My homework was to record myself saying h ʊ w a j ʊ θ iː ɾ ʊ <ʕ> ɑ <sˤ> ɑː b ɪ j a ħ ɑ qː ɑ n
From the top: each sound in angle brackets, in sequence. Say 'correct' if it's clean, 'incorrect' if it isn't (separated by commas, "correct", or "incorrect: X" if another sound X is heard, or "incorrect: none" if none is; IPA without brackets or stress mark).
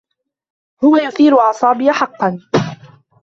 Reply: correct, correct